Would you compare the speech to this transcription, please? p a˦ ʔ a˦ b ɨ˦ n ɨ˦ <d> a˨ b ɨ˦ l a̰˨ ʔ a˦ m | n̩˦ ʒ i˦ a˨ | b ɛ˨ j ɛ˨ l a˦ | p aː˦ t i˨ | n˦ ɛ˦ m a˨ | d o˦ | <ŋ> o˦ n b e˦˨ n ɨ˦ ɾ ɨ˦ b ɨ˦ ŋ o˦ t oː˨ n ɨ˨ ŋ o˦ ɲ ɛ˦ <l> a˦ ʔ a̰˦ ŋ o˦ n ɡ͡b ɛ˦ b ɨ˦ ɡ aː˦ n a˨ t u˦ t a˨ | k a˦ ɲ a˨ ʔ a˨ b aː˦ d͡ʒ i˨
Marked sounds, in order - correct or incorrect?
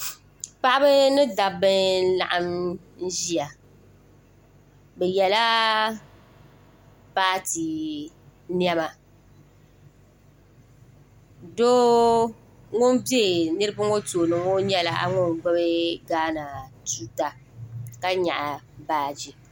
correct, correct, correct

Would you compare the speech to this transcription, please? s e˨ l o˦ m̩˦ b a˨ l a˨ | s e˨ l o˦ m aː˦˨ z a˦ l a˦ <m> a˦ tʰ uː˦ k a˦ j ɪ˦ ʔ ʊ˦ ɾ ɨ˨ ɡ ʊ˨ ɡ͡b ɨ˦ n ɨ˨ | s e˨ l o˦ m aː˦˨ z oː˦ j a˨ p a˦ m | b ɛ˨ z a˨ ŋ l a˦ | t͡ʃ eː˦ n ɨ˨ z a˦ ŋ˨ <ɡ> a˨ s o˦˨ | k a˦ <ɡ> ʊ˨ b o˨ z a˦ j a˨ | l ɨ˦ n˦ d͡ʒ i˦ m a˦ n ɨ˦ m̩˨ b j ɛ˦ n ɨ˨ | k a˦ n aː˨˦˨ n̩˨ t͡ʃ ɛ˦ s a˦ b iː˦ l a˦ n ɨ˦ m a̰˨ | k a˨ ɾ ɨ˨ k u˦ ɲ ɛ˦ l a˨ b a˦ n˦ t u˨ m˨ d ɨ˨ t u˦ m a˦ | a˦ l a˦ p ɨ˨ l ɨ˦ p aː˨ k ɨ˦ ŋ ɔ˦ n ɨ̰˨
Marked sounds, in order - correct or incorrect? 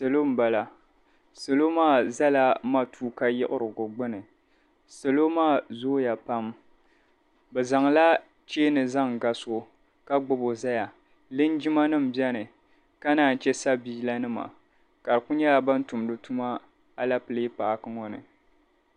correct, correct, incorrect: ɡ͡b

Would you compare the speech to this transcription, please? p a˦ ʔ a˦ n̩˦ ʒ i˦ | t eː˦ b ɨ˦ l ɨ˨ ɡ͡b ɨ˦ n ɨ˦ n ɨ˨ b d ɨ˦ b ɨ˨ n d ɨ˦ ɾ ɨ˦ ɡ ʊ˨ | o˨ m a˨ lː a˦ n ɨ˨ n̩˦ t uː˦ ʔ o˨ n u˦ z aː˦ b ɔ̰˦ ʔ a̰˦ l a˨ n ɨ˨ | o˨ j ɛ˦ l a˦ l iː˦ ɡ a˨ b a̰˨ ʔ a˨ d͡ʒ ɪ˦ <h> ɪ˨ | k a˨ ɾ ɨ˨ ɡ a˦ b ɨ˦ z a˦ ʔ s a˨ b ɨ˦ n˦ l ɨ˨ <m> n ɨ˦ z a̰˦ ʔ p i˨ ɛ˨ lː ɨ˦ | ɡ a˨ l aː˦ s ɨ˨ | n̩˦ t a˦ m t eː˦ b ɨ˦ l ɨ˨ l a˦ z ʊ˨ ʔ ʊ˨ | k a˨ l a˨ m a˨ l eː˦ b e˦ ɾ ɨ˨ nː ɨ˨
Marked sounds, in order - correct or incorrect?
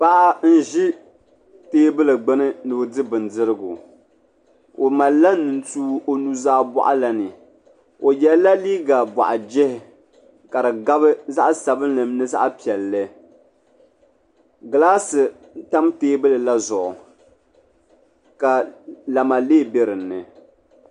correct, correct

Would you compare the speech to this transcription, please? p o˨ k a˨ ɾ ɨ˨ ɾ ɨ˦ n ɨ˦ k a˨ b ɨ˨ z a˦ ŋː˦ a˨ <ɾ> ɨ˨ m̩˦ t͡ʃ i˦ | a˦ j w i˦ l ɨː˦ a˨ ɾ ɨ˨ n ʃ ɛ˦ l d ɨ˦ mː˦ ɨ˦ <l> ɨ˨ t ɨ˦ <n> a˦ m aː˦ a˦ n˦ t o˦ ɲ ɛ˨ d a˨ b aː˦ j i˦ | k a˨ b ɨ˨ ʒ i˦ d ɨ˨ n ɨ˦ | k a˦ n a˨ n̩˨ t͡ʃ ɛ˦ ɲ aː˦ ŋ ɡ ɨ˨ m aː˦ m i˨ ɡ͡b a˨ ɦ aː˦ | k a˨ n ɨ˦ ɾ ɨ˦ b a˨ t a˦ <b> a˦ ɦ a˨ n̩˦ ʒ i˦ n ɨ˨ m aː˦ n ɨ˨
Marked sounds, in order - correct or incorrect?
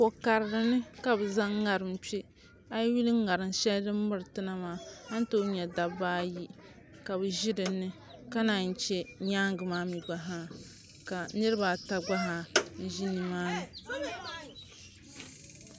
correct, incorrect: ɾ, correct, incorrect: ɡ͡b

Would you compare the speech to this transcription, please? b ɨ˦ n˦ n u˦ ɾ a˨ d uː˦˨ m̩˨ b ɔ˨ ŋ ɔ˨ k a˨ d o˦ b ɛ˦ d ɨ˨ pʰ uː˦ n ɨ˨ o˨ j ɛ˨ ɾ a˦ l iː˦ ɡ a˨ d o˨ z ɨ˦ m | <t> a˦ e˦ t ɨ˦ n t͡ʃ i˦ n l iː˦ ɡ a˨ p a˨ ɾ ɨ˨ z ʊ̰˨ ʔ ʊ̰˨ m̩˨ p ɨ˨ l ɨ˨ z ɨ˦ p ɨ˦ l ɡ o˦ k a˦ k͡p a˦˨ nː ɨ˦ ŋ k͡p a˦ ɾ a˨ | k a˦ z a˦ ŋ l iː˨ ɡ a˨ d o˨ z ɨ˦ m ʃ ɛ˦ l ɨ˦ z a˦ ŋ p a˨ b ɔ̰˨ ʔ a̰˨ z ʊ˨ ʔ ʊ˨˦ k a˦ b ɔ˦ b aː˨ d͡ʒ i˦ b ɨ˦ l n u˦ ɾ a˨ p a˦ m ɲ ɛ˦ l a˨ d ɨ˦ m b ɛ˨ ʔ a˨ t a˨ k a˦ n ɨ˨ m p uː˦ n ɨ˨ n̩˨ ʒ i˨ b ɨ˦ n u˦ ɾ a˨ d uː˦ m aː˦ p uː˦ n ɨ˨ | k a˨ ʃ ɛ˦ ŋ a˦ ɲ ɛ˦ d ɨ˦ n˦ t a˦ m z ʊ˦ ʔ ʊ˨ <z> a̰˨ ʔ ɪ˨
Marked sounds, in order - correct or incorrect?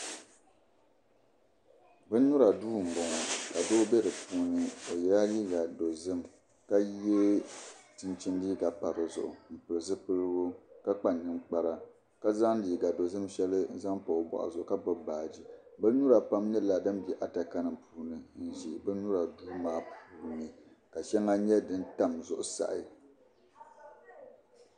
incorrect: k, incorrect: s

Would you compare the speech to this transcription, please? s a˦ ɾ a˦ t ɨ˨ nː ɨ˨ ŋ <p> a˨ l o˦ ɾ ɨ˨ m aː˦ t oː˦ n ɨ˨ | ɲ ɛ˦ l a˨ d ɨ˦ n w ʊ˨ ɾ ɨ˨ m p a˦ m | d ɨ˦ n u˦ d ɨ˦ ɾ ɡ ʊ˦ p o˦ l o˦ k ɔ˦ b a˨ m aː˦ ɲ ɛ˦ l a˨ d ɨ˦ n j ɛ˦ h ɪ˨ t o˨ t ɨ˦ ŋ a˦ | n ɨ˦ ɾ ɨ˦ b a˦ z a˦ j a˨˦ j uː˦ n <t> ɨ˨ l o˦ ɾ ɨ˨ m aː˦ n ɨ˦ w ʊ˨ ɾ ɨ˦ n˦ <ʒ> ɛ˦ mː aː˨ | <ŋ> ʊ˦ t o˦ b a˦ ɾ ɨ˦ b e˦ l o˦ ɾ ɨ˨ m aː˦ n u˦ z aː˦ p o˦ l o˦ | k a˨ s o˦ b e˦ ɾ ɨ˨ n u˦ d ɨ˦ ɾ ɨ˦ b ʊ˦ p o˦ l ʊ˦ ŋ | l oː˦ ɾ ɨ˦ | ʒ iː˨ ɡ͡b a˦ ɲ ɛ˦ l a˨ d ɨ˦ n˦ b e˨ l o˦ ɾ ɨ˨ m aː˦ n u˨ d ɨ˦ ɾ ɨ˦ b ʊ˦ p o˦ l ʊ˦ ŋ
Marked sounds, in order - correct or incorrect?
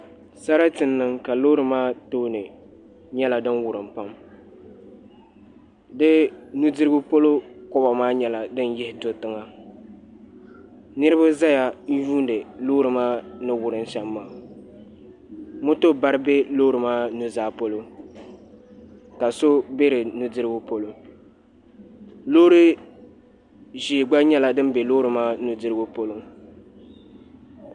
incorrect: k, incorrect: d, incorrect: ʃ, incorrect: m

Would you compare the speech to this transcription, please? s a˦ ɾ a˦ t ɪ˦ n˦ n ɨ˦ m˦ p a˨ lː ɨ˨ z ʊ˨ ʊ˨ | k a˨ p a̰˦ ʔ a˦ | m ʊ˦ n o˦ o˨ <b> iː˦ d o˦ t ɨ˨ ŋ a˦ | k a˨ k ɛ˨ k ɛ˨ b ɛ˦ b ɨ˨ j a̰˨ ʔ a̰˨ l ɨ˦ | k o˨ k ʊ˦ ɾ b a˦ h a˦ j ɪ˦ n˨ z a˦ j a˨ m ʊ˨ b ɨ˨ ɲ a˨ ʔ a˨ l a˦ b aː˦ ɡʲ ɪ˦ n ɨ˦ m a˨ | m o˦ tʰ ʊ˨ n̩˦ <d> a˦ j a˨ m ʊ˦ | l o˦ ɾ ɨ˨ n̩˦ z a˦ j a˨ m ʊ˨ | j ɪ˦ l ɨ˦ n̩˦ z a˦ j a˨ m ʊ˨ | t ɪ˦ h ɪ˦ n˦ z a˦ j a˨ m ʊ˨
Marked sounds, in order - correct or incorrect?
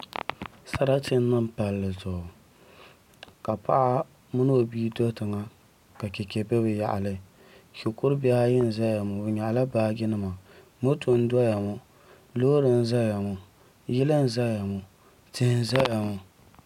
correct, correct

